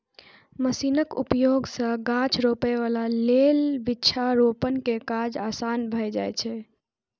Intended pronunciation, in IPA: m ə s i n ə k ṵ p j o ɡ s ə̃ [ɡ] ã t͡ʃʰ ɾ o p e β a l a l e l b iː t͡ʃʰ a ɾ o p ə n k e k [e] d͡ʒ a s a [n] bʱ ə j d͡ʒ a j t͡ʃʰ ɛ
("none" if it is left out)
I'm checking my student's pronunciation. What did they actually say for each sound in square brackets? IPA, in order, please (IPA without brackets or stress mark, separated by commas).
ɡ, a, n